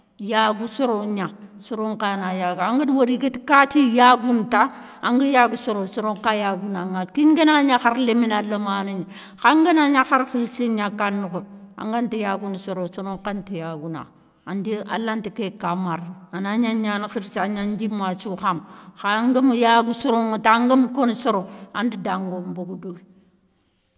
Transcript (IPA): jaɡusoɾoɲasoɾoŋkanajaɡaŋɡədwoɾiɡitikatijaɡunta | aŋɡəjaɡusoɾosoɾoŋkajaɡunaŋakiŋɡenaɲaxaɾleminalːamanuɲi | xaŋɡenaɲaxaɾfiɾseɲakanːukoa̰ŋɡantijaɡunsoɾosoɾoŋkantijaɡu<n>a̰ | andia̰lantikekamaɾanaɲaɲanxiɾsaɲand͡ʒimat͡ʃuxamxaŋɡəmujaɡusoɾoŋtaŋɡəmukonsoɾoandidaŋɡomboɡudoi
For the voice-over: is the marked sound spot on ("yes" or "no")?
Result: yes